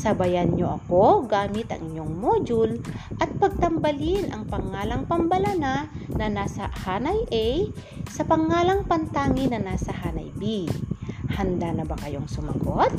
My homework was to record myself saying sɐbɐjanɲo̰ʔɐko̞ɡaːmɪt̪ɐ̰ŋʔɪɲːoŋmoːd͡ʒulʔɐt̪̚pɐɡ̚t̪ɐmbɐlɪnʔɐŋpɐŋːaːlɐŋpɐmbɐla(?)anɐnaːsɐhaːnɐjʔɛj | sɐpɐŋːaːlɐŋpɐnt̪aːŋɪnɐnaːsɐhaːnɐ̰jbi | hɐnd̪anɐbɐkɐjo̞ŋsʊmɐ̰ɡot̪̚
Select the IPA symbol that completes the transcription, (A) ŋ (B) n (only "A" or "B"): B